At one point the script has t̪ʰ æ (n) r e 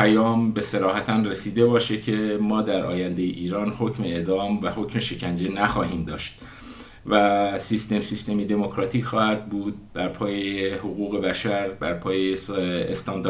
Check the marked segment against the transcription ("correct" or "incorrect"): correct